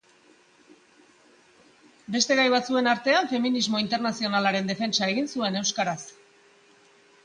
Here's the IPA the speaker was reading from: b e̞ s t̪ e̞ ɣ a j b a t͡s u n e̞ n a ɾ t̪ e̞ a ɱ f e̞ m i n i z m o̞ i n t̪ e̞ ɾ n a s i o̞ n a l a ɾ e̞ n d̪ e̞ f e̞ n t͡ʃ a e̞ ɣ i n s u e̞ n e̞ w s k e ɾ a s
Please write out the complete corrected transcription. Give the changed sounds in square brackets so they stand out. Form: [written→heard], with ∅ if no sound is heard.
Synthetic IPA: b e̞ s t̪ e̞ ɣ a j [b→β] a t͡s u [n→∅] e̞ n a ɾ t̪ e̞ a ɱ f e̞ m i n i z m o̞ i n t̪ e̞ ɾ n a s i o̞ n a l a ɾ e̞ n d̪ e̞ f e̞ n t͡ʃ a e̞ ɣ i n s u e̞ n e̞ w s k [e→a] ɾ a s